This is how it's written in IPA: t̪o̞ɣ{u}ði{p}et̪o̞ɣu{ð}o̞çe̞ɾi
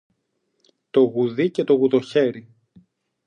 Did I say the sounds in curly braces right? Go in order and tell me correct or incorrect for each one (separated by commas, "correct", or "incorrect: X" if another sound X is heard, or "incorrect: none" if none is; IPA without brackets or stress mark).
correct, incorrect: c, correct